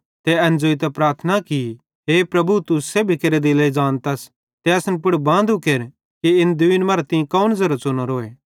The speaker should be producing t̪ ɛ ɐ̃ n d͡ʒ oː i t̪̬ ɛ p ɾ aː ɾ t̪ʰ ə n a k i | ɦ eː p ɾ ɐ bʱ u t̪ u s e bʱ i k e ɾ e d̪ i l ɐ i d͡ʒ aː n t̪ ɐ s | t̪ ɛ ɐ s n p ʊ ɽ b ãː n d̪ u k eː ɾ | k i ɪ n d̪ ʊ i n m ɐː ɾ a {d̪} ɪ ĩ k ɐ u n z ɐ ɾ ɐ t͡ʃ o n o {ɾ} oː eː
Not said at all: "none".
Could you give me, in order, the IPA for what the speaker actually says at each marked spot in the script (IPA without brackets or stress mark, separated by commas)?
t̪, ɾ